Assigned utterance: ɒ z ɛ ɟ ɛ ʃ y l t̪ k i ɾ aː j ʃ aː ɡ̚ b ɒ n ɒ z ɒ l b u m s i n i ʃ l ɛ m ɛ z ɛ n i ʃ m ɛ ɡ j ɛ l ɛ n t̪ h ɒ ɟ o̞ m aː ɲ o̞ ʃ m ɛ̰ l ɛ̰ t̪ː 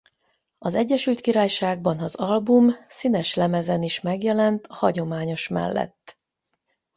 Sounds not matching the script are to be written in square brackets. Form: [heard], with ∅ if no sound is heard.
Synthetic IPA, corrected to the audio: ɒ z ɛ [ɟː] ɛ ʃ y l t̪ k i ɾ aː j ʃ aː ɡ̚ b ɒ n ɒ z ɒ l b u m s i n [ɛ] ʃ l ɛ m ɛ z ɛ n i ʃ m ɛ ɡ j ɛ l ɛ n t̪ h ɒ ɟ o̞ m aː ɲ o̞ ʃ m ɛ̰ [lː] ɛ̰ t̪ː